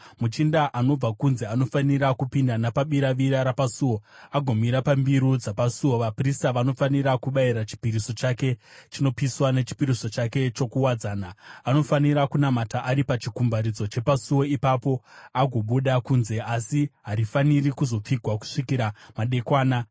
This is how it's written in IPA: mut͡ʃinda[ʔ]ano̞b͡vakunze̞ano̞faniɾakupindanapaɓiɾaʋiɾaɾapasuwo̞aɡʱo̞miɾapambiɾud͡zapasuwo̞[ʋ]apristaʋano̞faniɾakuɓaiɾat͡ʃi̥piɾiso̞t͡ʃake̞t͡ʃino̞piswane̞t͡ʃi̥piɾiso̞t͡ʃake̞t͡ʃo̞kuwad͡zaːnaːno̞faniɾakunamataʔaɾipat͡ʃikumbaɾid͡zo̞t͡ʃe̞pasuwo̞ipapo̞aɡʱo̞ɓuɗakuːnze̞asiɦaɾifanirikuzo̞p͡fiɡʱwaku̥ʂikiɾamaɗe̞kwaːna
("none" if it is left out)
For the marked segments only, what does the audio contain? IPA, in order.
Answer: ʔ, ʋ

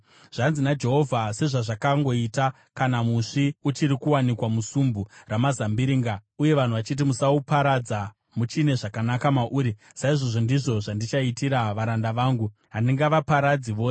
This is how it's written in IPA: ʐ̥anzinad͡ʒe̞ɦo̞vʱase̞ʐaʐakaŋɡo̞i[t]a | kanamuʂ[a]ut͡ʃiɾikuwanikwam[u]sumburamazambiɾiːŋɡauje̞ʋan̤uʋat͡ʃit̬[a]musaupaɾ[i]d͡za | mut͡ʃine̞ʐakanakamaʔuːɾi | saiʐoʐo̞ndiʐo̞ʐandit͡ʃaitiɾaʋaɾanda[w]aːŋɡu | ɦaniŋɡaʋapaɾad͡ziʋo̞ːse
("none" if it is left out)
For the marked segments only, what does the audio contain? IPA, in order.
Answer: t, i, u, i, a, ʋ

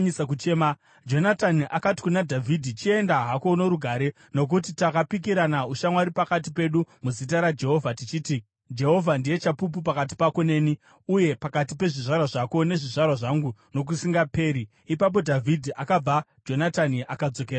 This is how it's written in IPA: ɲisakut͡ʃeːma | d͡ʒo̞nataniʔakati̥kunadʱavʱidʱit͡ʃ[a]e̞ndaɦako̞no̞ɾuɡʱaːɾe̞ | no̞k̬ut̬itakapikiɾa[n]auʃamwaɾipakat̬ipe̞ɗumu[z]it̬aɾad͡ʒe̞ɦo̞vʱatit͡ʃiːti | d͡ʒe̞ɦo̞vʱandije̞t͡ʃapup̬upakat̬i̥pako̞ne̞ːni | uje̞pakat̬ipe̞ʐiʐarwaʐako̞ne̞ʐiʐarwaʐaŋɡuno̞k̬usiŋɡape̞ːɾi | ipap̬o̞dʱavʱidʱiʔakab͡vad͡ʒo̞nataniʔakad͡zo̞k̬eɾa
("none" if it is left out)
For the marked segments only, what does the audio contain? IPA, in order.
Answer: i, n, z

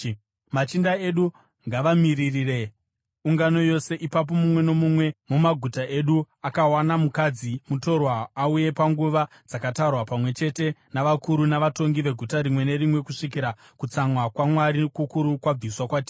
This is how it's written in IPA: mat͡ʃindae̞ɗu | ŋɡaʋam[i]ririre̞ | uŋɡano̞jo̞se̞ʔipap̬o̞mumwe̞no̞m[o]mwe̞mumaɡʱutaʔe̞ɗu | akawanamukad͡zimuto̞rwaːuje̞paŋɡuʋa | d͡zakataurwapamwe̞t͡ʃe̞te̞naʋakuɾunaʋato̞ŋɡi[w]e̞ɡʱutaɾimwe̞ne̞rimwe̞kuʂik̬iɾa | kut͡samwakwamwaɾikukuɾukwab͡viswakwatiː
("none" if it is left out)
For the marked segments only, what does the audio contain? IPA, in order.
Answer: i, u, ʋ

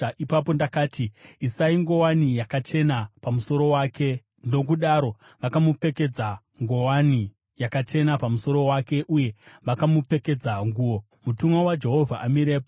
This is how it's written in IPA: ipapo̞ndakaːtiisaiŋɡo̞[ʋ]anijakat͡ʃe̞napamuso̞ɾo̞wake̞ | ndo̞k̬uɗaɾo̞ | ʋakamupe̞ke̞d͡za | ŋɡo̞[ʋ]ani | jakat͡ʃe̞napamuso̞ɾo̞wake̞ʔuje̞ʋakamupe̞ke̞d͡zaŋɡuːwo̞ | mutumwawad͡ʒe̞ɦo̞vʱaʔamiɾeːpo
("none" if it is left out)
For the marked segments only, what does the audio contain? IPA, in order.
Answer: w, w

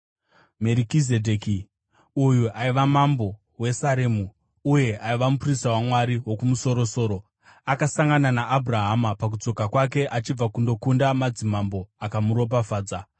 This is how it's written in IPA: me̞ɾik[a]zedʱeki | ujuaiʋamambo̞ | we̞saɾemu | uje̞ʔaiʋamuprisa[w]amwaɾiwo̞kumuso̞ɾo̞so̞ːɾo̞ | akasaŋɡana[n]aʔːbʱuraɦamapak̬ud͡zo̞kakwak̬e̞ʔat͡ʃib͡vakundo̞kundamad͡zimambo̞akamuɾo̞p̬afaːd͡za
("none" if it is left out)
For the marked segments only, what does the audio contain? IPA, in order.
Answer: i, w, n

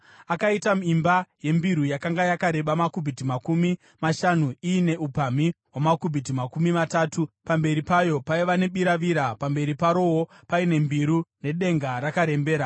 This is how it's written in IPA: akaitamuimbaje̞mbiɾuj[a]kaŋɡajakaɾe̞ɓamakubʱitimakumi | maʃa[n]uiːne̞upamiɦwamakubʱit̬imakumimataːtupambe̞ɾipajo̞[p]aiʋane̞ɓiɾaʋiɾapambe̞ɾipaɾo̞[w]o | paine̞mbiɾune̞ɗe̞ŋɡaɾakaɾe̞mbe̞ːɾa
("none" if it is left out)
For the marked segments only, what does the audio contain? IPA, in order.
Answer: a, n, p, w

